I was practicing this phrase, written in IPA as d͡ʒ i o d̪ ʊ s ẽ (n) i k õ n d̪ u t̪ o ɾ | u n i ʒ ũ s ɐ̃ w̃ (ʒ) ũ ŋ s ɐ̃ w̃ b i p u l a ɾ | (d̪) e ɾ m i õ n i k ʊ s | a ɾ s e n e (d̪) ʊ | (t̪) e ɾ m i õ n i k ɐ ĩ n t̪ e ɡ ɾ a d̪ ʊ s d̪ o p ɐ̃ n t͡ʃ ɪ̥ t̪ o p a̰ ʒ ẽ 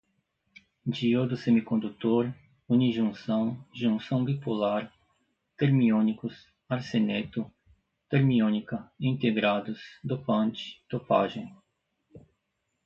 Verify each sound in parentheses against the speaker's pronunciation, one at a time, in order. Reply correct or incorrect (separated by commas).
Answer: incorrect, correct, incorrect, incorrect, correct